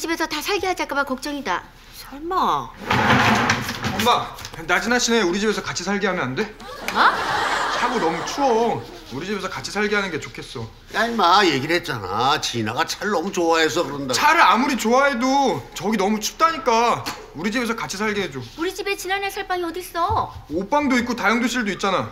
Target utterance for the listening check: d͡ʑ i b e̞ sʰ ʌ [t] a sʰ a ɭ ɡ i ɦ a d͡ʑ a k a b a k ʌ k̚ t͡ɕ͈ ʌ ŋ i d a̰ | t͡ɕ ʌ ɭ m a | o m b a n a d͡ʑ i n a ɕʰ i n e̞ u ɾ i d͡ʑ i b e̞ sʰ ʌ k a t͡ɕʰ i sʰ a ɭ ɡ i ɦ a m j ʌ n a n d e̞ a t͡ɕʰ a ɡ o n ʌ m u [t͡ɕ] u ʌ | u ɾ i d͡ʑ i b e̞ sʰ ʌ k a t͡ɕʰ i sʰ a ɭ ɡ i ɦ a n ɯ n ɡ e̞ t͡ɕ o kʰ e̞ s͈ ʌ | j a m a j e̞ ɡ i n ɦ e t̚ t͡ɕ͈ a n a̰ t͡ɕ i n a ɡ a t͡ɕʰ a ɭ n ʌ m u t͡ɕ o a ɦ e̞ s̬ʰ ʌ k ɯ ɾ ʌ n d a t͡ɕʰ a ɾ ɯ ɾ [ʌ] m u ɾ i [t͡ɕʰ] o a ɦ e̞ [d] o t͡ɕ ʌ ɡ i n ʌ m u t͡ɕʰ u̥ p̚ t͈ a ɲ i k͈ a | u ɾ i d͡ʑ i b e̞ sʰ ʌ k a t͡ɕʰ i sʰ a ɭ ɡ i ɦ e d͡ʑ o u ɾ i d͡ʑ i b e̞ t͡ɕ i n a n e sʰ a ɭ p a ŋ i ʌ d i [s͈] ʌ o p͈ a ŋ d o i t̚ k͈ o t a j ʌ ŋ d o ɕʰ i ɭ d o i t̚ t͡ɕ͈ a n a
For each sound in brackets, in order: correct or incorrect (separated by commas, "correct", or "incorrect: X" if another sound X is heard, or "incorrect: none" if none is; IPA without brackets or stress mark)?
correct, incorrect: t͡ɕʰ, incorrect: a, incorrect: t͡ɕ, correct, correct